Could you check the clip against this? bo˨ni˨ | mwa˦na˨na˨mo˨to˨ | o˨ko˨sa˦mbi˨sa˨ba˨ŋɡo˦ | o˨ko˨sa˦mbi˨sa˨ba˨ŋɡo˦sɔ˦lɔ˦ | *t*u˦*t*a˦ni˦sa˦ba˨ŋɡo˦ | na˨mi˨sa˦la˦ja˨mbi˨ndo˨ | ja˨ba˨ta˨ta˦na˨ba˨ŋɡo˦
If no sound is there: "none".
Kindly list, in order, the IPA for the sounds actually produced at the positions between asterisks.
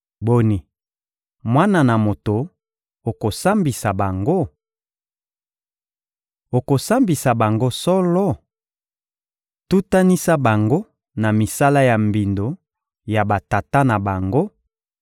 t, t

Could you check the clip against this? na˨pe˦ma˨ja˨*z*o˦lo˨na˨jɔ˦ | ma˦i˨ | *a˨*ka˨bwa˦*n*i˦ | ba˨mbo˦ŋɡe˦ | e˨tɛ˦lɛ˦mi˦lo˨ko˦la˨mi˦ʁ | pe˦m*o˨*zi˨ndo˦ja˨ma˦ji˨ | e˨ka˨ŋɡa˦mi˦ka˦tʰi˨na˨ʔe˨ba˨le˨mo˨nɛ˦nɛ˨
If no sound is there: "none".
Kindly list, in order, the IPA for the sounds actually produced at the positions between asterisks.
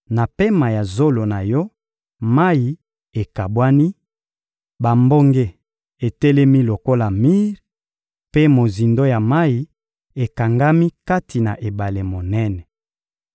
z, e˨, n, o˨

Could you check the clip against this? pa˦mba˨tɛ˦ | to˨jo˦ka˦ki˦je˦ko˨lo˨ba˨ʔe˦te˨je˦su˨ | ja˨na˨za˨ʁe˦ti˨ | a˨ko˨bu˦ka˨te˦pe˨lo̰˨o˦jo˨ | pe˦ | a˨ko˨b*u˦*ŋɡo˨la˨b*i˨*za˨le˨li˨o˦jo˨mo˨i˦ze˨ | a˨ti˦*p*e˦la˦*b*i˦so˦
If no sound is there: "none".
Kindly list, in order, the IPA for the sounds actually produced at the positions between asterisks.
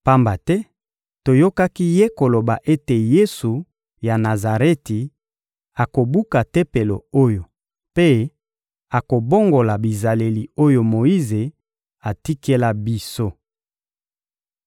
o˦, i˨, k, b

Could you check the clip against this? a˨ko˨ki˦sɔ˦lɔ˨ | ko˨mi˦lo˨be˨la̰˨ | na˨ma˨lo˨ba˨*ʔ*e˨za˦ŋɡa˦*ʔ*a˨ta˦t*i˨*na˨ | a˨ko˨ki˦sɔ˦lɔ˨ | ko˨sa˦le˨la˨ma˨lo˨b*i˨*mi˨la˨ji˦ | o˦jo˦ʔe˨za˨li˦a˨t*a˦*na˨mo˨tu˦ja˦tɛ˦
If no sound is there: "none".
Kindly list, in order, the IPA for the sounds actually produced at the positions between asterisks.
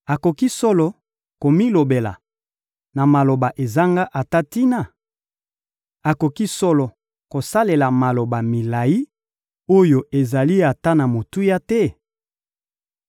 ʔ, ʔ, i˦, a˨, a˦

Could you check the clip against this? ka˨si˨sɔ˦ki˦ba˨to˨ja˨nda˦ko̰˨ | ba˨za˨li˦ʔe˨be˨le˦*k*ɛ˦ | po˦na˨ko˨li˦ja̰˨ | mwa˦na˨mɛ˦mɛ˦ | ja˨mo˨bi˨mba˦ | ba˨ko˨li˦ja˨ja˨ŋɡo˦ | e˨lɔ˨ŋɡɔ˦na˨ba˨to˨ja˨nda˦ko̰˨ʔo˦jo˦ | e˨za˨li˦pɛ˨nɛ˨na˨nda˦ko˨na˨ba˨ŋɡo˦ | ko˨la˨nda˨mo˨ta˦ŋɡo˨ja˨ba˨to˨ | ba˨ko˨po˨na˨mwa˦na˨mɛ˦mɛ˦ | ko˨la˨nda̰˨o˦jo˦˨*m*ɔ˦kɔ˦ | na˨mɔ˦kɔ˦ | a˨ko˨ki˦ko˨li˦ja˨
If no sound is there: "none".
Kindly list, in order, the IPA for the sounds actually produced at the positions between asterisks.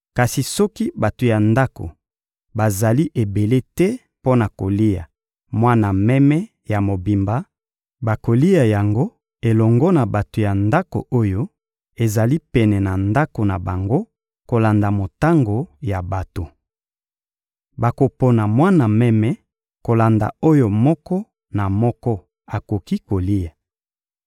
t, m

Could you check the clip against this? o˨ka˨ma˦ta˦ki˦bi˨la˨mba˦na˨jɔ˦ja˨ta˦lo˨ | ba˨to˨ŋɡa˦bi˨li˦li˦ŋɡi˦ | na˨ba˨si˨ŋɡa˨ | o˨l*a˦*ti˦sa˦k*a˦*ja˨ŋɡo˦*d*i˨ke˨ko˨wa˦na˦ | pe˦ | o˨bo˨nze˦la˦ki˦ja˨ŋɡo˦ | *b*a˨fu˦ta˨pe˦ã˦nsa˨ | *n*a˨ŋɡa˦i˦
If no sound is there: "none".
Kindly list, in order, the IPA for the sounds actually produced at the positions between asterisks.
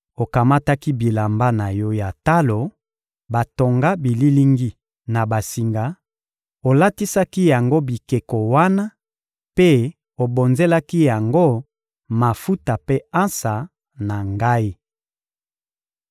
a˦, i˦, b, m, n

